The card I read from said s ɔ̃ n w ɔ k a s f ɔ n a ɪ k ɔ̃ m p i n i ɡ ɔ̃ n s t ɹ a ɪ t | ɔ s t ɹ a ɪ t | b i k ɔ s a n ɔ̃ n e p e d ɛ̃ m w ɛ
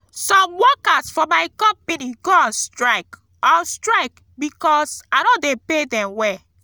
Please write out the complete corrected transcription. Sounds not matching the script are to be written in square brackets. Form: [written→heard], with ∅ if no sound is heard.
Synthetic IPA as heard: s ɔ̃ [n→m] w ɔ k a s f ɔ [n→m] a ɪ k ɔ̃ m p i n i ɡ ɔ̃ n s t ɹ a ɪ [t→k] | ɔ s t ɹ a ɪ [t→k] | b i k ɔ s a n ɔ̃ [n→d] e p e d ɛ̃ m w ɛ